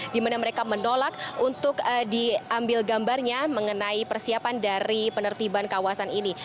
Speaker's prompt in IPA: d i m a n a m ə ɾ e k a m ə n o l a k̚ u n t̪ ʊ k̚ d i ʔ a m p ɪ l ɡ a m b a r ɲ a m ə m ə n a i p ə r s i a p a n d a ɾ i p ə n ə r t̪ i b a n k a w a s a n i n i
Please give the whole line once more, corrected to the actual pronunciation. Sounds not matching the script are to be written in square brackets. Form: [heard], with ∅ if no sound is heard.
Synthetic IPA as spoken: d i m a n a m ə ɾ e k a m ə n o l a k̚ u n t̪ ʊ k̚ d i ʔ a m [b] ɪ l ɡ a m b a r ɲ a m ə [ŋ] ə n a i p ə r s i a p a n d a ɾ i p ə n ə r t̪ i b a n k a w a s a n i n i